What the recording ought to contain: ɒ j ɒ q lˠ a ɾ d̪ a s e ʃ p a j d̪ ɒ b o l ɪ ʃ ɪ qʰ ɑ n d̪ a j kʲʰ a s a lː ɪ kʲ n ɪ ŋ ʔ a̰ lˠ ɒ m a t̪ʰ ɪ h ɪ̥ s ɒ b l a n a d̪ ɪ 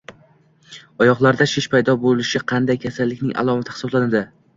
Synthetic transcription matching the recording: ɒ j ɒ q lˠ a ɾ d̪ a ʃ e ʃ p a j d̪ ɒ b o l ɪ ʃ ɪ qʰ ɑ n d̪ a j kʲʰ a s a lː ɪ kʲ n ɪ ŋ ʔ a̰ lˠ ɒ m a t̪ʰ ɪ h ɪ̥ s ɒ b l a n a d̪ ɪ